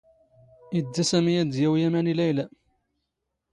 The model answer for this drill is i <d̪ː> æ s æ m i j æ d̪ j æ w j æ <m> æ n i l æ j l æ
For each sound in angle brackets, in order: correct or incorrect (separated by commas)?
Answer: correct, correct